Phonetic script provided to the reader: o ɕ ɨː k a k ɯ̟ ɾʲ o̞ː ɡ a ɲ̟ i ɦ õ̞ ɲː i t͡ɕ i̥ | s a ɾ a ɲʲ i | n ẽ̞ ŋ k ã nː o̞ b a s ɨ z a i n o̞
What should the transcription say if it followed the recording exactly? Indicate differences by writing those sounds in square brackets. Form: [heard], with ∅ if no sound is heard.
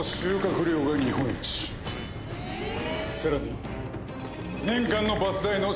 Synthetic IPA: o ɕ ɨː k a k ɯ̟ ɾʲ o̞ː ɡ a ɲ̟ i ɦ õ̞ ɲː i t͡ɕ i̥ | s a ɾ a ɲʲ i | n ẽ̞ ŋ k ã nː o̞ b a s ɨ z a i n o̞